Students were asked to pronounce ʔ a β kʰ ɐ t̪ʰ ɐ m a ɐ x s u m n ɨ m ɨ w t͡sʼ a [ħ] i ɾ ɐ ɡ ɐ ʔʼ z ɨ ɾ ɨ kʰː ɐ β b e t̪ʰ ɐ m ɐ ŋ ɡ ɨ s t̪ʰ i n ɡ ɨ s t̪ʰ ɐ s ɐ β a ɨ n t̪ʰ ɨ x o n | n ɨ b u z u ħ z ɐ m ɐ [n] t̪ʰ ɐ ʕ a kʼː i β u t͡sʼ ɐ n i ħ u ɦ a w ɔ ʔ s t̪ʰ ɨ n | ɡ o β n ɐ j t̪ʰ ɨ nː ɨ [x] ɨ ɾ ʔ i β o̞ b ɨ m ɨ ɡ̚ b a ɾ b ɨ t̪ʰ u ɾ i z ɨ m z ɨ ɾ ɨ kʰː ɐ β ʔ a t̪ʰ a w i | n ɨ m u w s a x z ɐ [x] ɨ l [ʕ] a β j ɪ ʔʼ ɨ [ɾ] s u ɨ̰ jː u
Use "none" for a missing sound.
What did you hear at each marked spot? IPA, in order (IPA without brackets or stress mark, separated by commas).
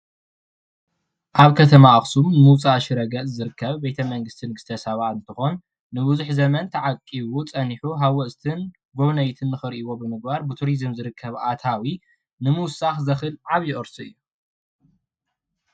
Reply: ʃ, n, x, x, ʕ, ɾ